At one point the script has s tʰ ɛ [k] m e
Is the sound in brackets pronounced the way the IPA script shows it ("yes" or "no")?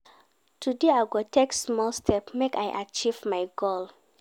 no